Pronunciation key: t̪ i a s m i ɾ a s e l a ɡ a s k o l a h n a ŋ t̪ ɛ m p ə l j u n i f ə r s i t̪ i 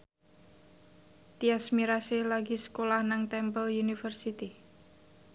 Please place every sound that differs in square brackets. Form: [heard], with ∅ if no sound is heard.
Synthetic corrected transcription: t̪ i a s m i ɾ a s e l a ɡ [i] s k o l a h n a ŋ t̪ ɛ m p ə l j u n i f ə r s i t̪ i